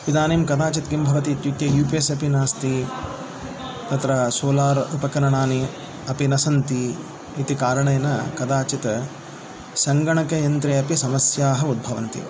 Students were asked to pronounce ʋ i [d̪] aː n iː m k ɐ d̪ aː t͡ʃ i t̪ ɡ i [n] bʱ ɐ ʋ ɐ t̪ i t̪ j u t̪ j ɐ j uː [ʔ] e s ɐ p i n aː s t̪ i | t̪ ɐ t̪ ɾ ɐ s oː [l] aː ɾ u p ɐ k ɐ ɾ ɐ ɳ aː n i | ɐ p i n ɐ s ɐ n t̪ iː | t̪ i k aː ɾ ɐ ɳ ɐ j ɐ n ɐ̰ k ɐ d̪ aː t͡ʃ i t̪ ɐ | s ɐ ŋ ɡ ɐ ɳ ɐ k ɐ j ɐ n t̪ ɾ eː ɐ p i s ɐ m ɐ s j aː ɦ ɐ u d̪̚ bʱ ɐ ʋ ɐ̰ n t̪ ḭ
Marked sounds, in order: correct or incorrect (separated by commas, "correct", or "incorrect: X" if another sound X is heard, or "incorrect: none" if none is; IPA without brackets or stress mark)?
correct, incorrect: m, incorrect: p, correct